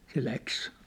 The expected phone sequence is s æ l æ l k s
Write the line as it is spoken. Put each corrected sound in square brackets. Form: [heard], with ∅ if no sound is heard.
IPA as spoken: s [e] l æ [∅] k s